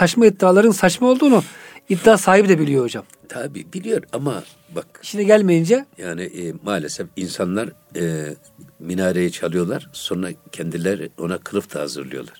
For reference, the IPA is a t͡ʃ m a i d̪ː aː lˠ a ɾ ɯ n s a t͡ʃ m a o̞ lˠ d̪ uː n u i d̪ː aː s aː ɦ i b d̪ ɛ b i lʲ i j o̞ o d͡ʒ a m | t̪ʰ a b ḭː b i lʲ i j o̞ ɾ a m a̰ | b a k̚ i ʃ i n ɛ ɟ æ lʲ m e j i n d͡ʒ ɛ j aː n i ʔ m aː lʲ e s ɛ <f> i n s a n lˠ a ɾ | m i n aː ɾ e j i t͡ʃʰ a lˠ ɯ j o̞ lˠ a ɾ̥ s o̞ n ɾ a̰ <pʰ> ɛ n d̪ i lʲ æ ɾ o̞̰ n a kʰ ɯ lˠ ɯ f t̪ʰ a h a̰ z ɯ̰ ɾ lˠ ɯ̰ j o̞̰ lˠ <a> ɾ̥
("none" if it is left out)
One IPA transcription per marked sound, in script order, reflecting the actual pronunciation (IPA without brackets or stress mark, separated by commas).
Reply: f, cʰ, a